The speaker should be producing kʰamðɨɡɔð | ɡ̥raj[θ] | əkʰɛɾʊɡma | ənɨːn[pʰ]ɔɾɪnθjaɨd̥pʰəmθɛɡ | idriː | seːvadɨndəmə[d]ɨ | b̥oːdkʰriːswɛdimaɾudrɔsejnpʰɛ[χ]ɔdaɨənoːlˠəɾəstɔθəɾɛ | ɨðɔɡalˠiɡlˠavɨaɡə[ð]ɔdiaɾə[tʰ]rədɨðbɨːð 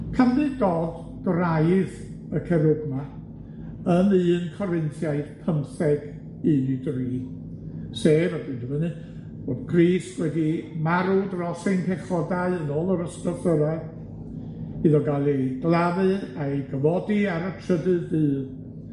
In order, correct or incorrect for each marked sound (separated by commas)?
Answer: incorrect, incorrect, incorrect, correct, incorrect, correct